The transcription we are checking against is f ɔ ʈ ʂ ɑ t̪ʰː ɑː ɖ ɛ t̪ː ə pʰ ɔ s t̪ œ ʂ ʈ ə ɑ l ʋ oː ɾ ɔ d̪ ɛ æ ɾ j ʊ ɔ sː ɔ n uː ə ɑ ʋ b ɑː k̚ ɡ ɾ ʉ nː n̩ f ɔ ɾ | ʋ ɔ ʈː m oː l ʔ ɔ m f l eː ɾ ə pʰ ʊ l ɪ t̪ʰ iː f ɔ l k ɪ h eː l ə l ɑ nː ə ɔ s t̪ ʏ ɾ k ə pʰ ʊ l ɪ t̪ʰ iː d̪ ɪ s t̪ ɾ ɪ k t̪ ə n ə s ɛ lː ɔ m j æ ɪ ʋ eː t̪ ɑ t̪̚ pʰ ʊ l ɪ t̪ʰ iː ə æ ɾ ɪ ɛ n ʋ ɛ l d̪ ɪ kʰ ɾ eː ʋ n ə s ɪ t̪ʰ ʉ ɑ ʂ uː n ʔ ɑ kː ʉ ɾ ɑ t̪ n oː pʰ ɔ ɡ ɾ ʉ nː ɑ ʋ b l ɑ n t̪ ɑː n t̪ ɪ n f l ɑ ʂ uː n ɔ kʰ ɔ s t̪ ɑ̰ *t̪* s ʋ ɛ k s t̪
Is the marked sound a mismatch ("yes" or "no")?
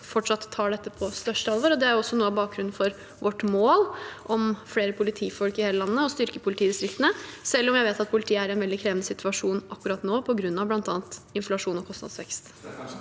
yes